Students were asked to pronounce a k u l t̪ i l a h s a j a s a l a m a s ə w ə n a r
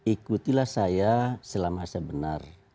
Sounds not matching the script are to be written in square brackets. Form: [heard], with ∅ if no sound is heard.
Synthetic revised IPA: [i] k u [∅] t̪ i l a h s a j a s [ə] l a m a s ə [b] ə n a r

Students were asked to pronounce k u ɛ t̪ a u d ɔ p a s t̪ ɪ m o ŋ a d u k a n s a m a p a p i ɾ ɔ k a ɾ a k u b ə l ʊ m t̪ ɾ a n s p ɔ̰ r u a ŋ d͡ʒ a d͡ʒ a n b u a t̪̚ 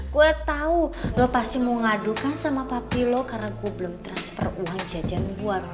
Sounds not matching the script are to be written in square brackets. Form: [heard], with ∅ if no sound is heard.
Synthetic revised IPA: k u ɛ t̪ a u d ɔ p a s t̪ [i] m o ŋ a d u k a n s a m a p a p i [l] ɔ k a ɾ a k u b ə l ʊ m t̪ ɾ a n s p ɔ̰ r u a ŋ d͡ʒ a d͡ʒ a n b u a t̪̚

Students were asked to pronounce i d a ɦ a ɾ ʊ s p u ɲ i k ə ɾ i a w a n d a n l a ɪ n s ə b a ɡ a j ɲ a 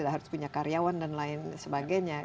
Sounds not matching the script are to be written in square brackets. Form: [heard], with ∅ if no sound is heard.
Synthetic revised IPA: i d a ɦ a ɾ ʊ s p u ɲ [a] k [a] ɾ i a w a n d a n l a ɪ n s ə b a ɡ a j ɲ a

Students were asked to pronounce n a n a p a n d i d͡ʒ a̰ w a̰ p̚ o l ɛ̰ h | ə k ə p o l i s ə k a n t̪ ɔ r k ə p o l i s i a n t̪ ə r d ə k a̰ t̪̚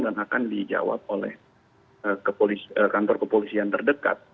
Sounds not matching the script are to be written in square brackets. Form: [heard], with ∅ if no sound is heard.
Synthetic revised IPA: [d] a n a [k] a n d i d͡ʒ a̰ w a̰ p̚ o l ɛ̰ h | ə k ə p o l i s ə k a n t̪ ɔ r k ə p o l i s i a n t̪ ə r d ə k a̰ t̪̚

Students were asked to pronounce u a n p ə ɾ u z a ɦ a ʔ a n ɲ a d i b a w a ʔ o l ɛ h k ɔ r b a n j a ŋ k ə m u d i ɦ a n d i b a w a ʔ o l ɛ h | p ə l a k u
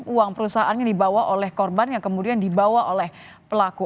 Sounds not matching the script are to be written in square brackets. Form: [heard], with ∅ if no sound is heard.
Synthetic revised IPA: u a [ŋ] p ə ɾ u [s] a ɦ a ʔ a n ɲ a d i b a w a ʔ o l ɛ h k ɔ r b a n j a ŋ k ə m u d i [∅] a n d i b a w a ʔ o l ɛ h | p ə l a k u

